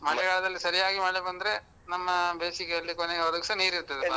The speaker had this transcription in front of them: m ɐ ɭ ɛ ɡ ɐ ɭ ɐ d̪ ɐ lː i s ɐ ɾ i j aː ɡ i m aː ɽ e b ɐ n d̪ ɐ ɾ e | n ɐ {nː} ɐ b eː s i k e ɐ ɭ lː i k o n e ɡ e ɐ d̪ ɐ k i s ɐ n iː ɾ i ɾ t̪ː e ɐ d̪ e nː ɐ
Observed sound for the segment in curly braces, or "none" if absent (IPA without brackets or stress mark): mː